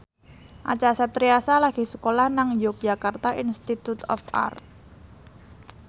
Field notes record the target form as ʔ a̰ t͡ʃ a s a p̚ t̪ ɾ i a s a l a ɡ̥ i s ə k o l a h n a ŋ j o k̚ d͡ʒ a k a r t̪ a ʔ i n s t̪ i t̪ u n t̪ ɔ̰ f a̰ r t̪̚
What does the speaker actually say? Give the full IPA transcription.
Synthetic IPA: ʔ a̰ t͡ʃ a s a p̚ t̪ ɾ i a s a l a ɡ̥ i s ə k o l a h n a ŋ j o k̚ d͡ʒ a k a r t̪ a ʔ i n s t̪ i t̪ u t̪ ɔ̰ f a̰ r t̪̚